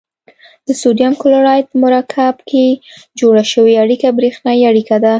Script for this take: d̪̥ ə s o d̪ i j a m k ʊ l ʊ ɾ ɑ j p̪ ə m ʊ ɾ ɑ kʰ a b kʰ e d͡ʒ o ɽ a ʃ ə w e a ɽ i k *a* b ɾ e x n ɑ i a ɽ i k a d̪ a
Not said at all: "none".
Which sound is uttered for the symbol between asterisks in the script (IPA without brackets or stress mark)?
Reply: a